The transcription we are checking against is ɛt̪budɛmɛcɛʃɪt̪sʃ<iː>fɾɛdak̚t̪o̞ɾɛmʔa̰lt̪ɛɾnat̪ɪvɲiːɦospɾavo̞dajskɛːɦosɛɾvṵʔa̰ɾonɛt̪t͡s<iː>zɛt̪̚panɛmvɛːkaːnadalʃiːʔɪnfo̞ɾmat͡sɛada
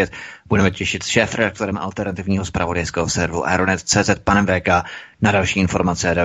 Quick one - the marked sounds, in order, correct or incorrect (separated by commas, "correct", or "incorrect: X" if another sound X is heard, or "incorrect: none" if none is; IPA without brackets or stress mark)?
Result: incorrect: ɛː, incorrect: ɛː